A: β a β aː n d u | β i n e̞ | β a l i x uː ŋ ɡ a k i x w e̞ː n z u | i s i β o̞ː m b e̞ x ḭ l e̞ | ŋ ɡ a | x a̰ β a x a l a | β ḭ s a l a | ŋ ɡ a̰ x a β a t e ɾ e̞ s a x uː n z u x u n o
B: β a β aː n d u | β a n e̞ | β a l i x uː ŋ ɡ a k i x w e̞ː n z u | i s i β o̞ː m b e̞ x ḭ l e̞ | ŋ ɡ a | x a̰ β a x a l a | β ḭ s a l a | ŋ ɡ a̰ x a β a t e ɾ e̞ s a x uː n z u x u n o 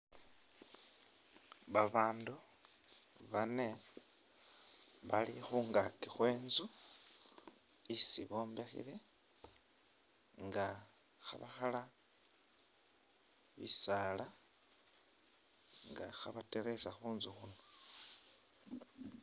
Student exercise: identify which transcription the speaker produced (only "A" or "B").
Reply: B